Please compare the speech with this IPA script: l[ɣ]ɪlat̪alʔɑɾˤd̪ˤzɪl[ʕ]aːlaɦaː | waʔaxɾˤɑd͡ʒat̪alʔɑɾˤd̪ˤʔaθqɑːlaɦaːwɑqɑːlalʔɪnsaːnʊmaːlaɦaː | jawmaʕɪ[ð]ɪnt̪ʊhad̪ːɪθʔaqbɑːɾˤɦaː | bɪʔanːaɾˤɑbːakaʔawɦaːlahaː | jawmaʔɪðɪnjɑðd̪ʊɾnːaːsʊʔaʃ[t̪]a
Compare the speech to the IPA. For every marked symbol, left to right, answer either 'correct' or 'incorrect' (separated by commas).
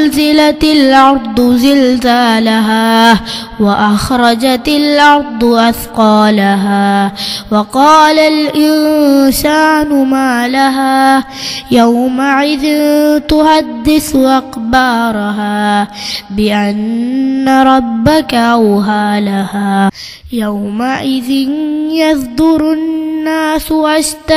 incorrect, incorrect, correct, correct